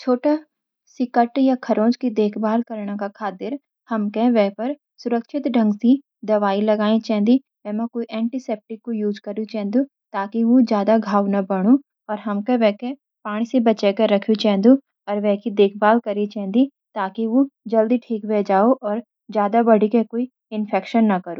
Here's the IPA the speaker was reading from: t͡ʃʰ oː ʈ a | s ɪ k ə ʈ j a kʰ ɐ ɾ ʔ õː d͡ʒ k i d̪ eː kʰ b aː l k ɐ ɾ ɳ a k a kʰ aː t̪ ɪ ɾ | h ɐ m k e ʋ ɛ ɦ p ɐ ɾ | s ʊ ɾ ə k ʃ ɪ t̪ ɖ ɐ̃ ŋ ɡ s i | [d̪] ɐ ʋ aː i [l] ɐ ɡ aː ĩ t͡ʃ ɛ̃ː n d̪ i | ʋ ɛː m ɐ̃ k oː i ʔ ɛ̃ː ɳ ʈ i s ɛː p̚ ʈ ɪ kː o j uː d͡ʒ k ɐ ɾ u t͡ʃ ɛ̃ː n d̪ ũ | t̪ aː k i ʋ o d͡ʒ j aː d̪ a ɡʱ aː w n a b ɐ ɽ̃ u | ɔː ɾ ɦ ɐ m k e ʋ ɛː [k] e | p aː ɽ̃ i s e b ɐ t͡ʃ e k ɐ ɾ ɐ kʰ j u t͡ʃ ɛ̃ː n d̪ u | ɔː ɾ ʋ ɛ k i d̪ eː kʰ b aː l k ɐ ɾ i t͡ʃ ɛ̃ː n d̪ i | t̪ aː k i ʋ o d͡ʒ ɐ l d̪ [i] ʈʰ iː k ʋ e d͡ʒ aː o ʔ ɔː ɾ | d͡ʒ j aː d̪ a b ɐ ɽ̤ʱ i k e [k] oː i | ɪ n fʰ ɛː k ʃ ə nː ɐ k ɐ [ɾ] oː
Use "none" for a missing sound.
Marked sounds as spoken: d̪, l, k, i, k, ɾ

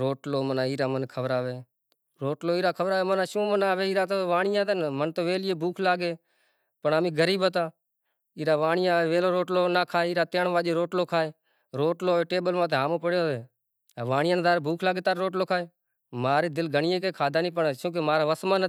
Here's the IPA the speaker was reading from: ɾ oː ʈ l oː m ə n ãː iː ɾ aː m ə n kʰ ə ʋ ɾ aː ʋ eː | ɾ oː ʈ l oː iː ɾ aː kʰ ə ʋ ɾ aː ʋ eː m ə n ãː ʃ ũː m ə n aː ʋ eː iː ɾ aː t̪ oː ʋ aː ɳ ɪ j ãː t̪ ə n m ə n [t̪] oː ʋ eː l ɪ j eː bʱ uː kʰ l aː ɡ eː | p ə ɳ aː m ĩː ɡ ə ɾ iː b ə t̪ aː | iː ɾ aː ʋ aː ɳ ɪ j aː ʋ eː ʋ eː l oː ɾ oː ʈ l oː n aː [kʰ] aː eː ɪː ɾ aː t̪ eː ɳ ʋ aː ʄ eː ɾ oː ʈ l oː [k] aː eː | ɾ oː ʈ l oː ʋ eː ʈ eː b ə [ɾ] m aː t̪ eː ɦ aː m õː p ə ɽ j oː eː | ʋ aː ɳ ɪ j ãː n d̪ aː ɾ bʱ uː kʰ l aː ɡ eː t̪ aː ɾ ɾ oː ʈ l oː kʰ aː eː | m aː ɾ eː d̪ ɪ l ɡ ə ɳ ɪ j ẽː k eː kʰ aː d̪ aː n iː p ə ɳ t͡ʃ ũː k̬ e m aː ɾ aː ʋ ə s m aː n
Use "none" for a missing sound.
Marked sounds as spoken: t̪, kʰ, kʰ, l

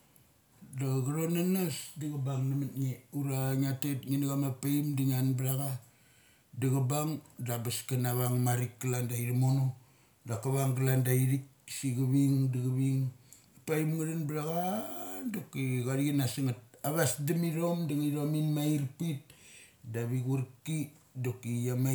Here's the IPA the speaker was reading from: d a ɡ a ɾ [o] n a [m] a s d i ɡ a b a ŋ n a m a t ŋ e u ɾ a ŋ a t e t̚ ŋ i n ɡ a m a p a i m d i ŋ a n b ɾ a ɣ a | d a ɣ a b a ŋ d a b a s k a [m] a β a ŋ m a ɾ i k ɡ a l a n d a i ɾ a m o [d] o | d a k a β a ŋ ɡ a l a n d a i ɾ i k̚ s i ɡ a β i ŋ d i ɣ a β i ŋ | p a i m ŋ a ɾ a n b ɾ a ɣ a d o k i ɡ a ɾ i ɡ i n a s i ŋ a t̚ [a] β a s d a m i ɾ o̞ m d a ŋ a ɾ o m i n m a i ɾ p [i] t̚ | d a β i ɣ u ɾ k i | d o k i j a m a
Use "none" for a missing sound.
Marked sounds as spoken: o, n, n, n, a, i

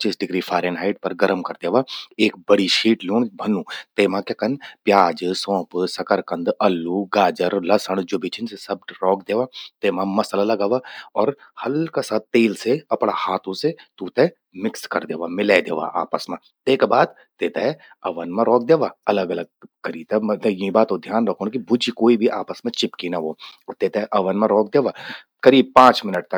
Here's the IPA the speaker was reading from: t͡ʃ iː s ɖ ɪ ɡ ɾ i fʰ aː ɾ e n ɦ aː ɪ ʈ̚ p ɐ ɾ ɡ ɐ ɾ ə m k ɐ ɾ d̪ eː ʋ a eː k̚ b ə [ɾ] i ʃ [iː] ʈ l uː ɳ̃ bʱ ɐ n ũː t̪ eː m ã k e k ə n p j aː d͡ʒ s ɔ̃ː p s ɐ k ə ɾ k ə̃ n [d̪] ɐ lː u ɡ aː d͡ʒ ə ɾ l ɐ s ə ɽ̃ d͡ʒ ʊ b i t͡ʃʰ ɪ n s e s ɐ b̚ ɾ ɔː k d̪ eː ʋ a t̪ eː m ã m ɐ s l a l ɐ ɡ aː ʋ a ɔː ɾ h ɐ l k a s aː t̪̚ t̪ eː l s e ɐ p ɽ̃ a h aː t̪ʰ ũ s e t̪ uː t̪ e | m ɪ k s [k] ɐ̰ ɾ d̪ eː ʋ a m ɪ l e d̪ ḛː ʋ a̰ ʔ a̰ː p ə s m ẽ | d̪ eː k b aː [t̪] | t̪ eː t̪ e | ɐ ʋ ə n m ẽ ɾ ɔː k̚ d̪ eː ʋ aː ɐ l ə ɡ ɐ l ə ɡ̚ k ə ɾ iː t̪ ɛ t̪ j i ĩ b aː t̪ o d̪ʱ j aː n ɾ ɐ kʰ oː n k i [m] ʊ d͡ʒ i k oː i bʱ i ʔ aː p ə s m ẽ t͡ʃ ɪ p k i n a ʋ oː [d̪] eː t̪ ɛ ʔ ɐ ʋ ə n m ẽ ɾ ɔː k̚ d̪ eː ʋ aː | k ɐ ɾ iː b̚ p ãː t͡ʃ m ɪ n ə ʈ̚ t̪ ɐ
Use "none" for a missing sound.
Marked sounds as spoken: ɽ, iː, d̪, k, d̪, b, t̪

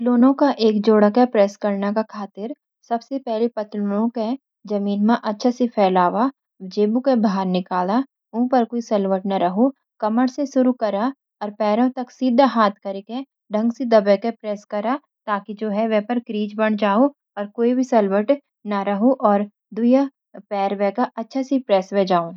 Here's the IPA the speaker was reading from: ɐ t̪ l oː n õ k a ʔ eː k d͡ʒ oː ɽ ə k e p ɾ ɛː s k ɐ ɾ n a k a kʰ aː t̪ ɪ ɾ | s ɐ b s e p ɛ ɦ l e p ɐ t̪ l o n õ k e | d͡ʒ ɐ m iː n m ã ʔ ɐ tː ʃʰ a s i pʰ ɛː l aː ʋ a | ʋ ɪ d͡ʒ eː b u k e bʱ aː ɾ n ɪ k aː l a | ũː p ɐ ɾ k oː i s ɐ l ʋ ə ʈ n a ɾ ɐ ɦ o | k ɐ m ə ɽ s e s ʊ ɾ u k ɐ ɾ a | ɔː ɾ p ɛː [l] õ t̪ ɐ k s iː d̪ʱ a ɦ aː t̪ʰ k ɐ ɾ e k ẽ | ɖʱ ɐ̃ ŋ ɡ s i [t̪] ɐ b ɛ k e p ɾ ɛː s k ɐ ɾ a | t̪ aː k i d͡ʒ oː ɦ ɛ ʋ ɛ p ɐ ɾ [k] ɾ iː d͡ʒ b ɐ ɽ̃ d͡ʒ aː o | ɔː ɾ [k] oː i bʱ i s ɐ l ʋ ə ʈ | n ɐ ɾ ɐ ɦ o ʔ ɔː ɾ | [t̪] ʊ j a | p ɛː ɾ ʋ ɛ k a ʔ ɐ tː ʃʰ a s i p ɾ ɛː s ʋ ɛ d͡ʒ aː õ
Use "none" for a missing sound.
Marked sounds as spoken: ɾ, d̪, k, k, d̪

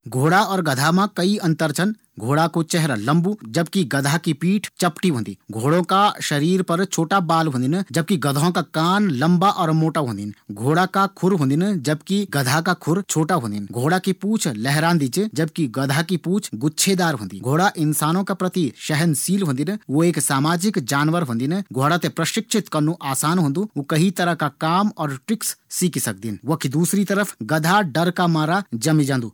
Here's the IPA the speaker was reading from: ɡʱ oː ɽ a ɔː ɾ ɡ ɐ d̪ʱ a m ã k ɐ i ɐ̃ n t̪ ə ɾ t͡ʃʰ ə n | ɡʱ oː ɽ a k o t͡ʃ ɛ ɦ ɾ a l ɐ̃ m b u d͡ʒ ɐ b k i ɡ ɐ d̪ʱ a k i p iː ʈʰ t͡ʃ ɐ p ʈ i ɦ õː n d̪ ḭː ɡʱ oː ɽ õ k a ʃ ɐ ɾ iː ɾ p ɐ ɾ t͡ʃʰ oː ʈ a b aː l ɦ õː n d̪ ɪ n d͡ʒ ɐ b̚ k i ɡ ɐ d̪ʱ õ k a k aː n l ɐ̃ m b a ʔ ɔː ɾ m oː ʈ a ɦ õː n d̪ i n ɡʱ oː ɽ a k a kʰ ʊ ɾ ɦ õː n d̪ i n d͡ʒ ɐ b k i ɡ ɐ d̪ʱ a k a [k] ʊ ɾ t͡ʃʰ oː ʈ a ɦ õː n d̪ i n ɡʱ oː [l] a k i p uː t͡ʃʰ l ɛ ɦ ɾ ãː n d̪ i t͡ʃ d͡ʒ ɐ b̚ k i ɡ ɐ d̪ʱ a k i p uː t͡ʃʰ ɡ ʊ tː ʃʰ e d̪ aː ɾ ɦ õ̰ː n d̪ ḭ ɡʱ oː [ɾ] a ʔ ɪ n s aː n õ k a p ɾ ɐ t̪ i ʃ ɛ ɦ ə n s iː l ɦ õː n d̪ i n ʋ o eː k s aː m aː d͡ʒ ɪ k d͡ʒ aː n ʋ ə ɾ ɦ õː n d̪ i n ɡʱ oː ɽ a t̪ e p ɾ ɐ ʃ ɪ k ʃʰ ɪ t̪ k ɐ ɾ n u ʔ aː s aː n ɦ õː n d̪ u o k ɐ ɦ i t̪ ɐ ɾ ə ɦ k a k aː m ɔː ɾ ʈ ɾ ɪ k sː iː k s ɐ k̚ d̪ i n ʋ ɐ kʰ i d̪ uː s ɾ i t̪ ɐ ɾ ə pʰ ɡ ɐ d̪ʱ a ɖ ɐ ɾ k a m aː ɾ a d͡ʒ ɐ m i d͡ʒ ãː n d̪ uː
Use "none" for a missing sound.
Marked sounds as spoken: kʰ, ɽ, ɽ

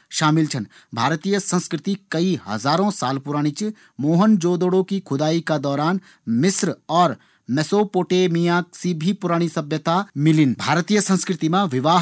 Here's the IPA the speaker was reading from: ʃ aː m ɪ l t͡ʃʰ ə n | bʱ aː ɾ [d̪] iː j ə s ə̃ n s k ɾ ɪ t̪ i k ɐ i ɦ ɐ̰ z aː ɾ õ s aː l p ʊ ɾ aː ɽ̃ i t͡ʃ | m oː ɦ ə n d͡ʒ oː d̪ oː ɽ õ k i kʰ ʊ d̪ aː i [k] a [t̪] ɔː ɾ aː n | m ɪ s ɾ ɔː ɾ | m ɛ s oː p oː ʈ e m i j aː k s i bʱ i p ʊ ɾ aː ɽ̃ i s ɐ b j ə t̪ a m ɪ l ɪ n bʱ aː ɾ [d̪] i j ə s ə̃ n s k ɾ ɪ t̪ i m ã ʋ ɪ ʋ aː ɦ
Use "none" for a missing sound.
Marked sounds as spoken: t̪, k, d̪, t̪

